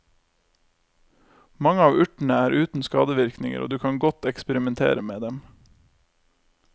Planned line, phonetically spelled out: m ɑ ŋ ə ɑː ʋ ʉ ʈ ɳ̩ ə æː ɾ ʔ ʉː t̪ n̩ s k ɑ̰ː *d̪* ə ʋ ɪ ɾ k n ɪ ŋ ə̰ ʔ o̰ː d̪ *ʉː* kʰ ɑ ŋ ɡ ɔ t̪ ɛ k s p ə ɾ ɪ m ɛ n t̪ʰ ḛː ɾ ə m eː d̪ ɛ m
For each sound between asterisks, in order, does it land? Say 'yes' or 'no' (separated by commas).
yes, yes